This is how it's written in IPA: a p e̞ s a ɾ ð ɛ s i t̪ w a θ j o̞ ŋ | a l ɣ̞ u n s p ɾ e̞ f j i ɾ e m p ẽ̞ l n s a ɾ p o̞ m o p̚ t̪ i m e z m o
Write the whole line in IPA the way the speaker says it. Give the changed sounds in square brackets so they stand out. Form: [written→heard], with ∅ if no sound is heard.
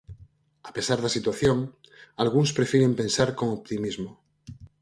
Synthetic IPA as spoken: a p e̞ s a ɾ ð [ɛ→a] s i t̪ w a θ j o̞ ŋ | a l ɣ̞ u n s p ɾ e̞ f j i ɾ e m p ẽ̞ [l→∅] n s a ɾ [p→k] o̞ [m→ŋ] o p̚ t̪ i m [e→i] z m o